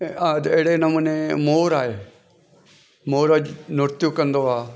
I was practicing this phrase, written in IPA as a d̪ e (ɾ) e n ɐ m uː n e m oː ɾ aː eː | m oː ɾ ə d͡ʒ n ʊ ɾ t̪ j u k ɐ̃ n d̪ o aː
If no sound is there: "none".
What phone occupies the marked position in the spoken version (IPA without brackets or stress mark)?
ɽ